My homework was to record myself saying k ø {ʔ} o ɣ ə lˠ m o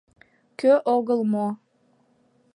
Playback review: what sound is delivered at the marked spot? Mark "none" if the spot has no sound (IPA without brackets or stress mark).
ʔ